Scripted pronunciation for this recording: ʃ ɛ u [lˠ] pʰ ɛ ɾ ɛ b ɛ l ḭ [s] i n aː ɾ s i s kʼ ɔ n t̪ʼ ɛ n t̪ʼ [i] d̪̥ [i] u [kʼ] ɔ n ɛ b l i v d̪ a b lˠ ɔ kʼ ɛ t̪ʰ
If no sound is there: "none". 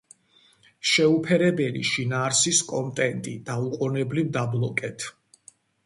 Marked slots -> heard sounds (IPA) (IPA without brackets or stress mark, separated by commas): none, ʃ, i, a, qʼ